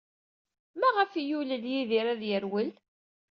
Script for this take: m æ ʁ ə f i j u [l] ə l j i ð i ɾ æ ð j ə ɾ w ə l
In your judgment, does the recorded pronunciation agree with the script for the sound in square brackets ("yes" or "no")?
yes